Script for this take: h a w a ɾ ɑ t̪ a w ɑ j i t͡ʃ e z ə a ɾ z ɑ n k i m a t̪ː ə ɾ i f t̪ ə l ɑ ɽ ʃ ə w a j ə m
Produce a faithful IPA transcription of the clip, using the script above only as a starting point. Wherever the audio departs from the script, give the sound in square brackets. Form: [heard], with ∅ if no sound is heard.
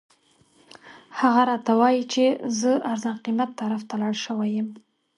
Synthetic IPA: h a [ɣ] a ɾ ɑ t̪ a w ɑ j i t͡ʃ e z ə a ɾ z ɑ n [q] i m a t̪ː [a] ɾ [a] f t̪ [a] l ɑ ɽ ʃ ə w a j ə m